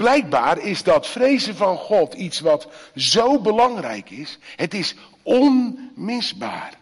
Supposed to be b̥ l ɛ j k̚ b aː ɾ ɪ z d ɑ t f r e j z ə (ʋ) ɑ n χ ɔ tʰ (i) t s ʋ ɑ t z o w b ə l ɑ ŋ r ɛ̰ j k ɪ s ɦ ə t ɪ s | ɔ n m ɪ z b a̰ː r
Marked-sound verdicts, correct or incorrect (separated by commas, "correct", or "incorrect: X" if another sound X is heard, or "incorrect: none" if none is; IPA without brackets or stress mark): incorrect: v, correct